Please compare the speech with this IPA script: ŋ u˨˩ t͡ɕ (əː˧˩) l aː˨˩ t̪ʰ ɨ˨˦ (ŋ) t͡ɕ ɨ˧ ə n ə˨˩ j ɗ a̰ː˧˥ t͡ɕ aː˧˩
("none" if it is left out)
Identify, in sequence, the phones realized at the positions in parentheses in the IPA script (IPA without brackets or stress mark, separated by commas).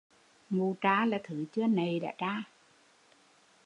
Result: aː˧˩, none